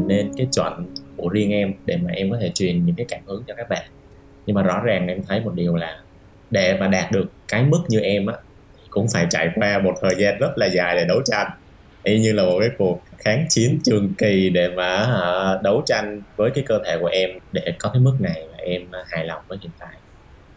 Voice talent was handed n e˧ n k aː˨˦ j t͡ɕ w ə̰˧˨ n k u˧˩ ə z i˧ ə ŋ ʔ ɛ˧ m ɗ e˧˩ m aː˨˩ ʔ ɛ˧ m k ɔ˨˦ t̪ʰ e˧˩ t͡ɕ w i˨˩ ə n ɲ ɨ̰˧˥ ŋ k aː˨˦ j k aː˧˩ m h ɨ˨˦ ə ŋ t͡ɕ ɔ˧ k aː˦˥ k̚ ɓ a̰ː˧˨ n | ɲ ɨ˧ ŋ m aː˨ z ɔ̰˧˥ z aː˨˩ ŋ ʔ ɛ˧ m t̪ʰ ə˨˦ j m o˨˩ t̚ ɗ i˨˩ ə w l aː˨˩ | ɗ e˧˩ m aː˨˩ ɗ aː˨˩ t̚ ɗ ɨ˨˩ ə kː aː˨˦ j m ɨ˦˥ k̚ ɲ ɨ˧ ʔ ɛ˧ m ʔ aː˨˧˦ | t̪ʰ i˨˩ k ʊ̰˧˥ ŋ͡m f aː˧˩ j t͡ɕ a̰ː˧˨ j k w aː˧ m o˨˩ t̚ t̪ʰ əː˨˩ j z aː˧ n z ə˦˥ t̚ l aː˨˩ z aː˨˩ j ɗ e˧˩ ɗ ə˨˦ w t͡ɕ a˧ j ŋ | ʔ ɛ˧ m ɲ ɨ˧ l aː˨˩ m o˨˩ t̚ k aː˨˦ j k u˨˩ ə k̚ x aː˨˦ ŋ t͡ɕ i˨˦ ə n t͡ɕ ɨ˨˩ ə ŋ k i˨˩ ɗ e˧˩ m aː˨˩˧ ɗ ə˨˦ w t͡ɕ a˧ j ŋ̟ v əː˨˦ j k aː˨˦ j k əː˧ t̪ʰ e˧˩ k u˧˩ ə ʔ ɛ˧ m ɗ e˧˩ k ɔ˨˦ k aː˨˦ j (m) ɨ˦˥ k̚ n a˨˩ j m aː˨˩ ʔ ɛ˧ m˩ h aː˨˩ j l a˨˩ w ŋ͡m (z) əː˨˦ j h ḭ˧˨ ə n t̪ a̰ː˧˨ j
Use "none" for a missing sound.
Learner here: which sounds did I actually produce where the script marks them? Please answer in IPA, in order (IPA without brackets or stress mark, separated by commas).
m, v